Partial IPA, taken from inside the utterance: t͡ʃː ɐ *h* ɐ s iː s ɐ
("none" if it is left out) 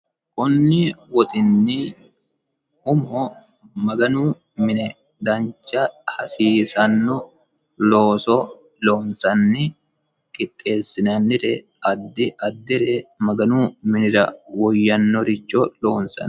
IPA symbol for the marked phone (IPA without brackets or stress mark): h